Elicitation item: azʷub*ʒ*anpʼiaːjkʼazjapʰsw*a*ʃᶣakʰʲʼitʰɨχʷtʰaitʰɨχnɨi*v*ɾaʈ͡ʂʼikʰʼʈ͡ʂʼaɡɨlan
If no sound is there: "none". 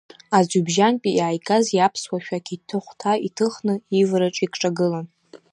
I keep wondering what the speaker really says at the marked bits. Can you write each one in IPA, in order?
ʒ, a, v

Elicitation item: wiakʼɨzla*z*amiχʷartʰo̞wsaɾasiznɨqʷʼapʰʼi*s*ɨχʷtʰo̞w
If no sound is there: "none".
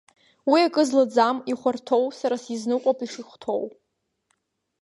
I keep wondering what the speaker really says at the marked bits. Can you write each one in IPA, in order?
d͡z, ʂ

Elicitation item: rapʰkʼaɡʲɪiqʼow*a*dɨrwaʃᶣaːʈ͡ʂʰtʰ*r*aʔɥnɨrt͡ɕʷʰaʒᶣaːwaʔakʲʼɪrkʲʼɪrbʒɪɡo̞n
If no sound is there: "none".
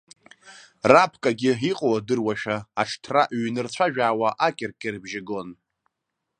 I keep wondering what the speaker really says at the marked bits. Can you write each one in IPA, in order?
a, r

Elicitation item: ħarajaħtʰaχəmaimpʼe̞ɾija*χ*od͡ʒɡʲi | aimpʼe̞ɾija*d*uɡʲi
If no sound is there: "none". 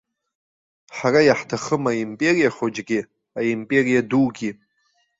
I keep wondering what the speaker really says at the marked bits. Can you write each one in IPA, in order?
χ, d

